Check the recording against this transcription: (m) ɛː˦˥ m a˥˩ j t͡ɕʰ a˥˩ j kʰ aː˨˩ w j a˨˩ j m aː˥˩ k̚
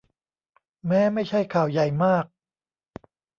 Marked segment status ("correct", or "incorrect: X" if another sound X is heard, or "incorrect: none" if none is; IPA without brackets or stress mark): correct